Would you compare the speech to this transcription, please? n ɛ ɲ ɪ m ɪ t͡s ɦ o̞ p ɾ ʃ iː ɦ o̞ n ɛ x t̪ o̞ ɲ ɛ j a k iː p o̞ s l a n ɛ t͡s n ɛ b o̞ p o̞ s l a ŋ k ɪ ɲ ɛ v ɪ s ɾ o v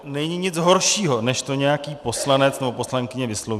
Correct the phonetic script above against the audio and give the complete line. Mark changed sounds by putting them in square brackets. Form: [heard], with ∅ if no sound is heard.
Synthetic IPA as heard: n ɛ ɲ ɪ [ɲ] ɪ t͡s ɦ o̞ [∅] ɾ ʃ iː ɦ o̞ n ɛ [ʃ] t̪ o̞ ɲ ɛ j a k iː p o̞ s l a n ɛ t͡s n ɛ b o̞ p o̞ s l a ŋ k ɪ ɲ ɛ v ɪ s [l] o v

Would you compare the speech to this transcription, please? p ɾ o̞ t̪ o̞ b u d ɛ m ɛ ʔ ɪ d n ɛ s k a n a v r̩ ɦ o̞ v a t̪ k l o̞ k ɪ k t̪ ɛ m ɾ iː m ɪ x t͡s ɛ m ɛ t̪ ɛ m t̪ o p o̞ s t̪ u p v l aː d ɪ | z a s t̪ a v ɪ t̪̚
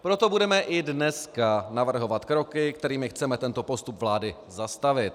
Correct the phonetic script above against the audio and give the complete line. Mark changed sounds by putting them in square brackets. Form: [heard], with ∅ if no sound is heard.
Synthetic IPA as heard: p ɾ o̞ t̪ o̞ b u d ɛ m ɛ ʔ ɪ d n ɛ s k a n a v r̩ ɦ o̞ v a t̪ k [ɾ] o̞ k ɪ k t̪ ɛ [∅] ɾ iː m ɪ x t͡s ɛ m ɛ t̪ ɛ [n] t̪ o p o̞ s t̪ u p v l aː d ɪ | z a s t̪ a v ɪ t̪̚

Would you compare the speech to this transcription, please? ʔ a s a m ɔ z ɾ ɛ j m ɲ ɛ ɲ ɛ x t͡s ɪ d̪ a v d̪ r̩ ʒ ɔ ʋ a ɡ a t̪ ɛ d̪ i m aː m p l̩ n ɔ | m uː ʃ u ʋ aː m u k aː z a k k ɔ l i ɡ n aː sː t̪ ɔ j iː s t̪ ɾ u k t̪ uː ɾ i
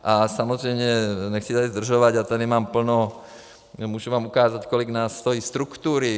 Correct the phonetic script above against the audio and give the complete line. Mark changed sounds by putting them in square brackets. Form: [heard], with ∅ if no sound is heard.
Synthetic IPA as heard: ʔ a s a m ɔ z ɾ ɛ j m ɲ ɛ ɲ ɛ x t͡s [i] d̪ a [z] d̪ r̩ ʒ ɔ ʋ a [ɟ] a t̪ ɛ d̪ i m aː m p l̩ n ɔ | m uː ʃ u ʋ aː m u k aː z a [c] k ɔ l i ɡ n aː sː t̪ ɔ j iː s t̪ ɾ u k t̪ uː ɾ i

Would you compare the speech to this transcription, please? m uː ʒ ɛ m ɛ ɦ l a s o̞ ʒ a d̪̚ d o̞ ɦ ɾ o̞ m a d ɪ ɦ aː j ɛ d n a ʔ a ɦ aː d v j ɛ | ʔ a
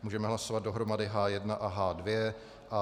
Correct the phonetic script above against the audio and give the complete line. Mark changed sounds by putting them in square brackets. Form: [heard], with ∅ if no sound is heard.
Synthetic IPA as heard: m uː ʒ ɛ m ɛ ɦ l a s o̞ [v] a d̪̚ d o̞ ɦ ɾ o̞ m a d ɪ ɦ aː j ɛ d n a ʔ a ɦ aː d v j ɛ | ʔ a

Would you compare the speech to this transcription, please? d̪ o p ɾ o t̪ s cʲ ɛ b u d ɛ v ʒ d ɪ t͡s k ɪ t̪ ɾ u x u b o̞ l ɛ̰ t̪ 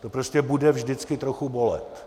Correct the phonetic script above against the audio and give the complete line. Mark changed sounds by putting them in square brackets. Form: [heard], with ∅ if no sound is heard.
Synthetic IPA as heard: [t̪] o p ɾ o [∅] s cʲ ɛ b u d ɛ v ʒ d ɪ t͡s k ɪ t̪ ɾ [o] x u b o̞ l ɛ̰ t̪

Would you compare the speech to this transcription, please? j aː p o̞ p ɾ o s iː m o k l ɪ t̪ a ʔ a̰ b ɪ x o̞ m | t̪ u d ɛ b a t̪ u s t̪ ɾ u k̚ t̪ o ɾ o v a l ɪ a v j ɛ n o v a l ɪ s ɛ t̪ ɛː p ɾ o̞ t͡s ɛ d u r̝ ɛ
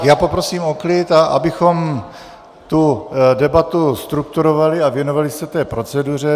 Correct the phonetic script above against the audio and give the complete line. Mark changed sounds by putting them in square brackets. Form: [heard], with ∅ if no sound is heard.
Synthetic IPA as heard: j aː p o̞ p ɾ o s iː m o k l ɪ t̪ a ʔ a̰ b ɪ x o̞ m | t̪ u d ɛ b a t̪ u s t̪ ɾ u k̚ t̪ [u] ɾ o v a l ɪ a v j ɛ n o v a l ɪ s ɛ t̪ ɛː p ɾ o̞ t͡s ɛ d u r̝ ɛ

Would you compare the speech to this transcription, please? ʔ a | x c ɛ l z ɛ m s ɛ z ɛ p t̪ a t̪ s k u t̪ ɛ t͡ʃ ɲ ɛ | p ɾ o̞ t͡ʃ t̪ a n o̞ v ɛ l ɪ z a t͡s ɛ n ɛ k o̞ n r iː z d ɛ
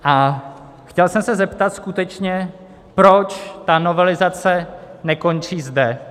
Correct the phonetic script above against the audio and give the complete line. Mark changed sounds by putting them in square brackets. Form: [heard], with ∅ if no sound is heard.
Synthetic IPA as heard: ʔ a | x c ɛ l [s] ɛ m s ɛ z ɛ p t̪ a t̪ s k u t̪ ɛ t͡ʃ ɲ ɛ | p ɾ o̞ t͡ʃ t̪ a n o̞ v ɛ l ɪ z a t͡s ɛ n ɛ k o̞ n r iː z d ɛ

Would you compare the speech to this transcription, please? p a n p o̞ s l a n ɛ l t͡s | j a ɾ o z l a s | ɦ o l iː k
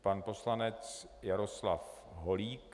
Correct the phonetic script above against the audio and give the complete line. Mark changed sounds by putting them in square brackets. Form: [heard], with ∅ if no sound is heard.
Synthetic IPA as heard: p a n p o̞ s l a n ɛ [∅] t͡s | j a ɾ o [s] l a [f] | ɦ o l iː k

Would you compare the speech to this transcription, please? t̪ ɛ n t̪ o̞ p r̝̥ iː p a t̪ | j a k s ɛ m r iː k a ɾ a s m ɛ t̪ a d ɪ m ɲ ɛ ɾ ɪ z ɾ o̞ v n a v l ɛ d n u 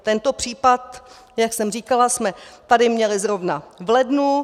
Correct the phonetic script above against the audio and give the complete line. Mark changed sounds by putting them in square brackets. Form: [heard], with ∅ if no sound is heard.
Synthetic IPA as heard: t̪ ɛ n t̪ o̞ p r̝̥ iː p a t̪ | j a k s ɛ m r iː k a [l] a s m ɛ t̪ a d ɪ m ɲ ɛ [l] ɪ z ɾ o̞ v n a v l ɛ d n u

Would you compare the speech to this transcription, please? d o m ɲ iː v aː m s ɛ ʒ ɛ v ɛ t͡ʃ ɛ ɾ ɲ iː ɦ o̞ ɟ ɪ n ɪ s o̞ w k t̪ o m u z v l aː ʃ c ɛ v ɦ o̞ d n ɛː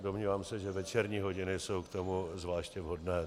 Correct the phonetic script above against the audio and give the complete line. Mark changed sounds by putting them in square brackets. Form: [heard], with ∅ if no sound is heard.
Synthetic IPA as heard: d o m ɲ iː v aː m s ɛ ʒ ɛ v ɛ t͡ʃ ɛ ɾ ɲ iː ɦ o̞ ɟ ɪ n ɪ s o̞ w k t̪ o m u z v l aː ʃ c ɛ v ɦ o̞ d n ɛː

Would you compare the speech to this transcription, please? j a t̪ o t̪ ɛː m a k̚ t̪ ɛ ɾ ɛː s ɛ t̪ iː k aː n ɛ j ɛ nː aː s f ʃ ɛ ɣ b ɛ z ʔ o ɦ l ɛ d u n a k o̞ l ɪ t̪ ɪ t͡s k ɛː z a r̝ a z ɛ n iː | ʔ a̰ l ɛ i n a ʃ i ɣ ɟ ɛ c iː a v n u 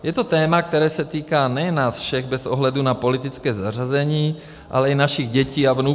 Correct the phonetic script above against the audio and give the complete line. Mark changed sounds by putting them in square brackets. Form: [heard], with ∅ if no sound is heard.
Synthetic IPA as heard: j [ɛ] t̪ o t̪ ɛː m a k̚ t̪ ɛ ɾ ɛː s ɛ t̪ iː k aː n ɛ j ɛ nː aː s f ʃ ɛ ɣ b ɛ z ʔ o ɦ l ɛ d u n a [p] o̞ l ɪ t̪ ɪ t͡s k ɛː z a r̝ a z ɛ [ɲ] iː | ʔ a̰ l ɛ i n a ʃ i ɣ ɟ ɛ c iː a v n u

